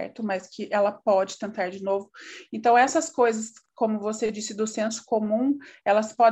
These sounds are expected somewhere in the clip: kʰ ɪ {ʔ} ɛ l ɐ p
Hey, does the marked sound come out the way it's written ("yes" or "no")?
yes